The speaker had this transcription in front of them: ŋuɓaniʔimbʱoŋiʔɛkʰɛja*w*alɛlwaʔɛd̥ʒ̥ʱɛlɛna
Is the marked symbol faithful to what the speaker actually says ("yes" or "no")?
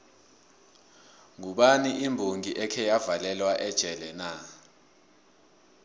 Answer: no